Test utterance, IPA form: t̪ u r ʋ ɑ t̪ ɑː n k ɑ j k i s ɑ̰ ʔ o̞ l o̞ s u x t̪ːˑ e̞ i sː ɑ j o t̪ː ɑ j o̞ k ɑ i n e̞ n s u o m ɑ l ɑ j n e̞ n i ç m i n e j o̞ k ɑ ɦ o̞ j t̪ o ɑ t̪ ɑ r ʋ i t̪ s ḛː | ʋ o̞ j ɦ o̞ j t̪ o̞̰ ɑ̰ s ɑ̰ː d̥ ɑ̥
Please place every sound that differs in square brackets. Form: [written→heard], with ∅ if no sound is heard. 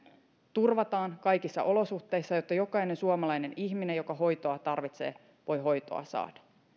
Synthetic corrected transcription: t̪ u r ʋ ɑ t̪ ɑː n k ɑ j k i [s→sː] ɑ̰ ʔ o̞ l o̞ s u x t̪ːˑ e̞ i sː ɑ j o t̪ː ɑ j o̞ k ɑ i n e̞ n s u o m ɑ l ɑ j n e̞ n i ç m i n e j o̞ k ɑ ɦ o̞ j t̪ o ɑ t̪ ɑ r ʋ i t̪ s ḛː | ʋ o̞ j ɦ o̞ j t̪ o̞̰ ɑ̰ s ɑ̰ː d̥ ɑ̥